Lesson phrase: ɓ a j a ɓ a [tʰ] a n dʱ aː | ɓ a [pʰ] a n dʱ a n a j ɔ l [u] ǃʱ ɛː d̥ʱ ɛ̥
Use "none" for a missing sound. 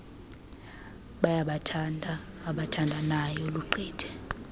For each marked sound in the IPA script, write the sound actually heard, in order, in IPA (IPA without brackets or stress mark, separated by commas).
tʰ, tʰ, u